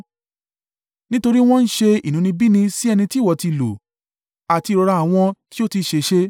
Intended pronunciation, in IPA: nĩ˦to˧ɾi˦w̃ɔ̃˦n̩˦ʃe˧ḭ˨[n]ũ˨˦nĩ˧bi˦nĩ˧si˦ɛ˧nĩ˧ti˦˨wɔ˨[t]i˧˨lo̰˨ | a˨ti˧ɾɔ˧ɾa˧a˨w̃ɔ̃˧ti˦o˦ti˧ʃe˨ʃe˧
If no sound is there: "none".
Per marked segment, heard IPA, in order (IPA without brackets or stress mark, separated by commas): n, t